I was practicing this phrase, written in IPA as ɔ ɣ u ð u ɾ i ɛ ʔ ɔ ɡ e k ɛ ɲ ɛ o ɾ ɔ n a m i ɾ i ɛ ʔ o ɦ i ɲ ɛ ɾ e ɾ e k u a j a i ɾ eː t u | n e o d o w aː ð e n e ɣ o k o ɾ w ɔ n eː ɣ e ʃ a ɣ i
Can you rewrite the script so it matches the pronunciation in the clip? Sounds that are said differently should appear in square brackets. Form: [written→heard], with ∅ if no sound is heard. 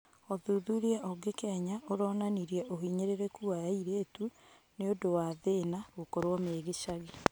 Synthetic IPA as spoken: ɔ [ɣ→ð] u ð u ɾ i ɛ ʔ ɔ ɡ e k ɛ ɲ [ɛ→a] o ɾ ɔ n a [m→n] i ɾ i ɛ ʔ o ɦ i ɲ [ɛ→e] ɾ e ɾ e k u a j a i ɾ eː t u | n e o d o w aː ð e n [e→a] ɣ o k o ɾ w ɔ [n→m] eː ɣ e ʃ a ɣ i